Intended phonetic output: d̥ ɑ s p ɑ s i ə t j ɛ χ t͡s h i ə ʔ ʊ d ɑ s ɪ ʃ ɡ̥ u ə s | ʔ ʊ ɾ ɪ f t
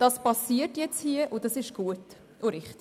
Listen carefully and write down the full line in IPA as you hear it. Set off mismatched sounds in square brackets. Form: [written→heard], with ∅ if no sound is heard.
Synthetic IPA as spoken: d̥ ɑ s p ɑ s i ə t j ɛ [χ→∅] t͡s h i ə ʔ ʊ d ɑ s ɪ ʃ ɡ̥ u ə [s→t] | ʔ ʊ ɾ ɪ [f→χ] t